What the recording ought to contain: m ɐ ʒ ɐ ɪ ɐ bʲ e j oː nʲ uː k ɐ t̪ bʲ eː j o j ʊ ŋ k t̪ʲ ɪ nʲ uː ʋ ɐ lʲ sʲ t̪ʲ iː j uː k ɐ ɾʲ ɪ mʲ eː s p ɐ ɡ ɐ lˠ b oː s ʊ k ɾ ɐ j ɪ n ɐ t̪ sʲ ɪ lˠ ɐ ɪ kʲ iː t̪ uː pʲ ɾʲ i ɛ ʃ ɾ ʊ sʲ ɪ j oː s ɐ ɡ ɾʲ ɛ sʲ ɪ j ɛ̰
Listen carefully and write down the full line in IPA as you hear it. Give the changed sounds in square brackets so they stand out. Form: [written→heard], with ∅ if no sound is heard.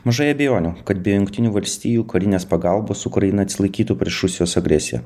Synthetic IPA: m ɐ ʒ ɐ ɪ ɐ bʲ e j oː nʲ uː k ɐ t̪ bʲ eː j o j ʊ ŋ k t̪ʲ ɪ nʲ uː ʋ ɐ lʲ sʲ t̪ʲ iː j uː k ɐ ɾʲ ɪ [mʲ→nʲ] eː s p ɐ ɡ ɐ lˠ b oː s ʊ k ɾ ɐ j ɪ n ɐ t̪ sʲ ɪ lˠ ɐ ɪ kʲ iː t̪ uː pʲ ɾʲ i ɛ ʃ ɾ ʊ sʲ ɪ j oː s ɐ ɡ ɾʲ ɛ sʲ ɪ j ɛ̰